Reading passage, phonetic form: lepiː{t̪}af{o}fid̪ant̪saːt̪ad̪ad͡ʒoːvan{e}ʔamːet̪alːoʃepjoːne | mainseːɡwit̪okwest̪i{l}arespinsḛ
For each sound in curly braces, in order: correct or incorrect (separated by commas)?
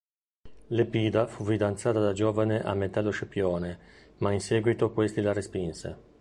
incorrect, incorrect, correct, correct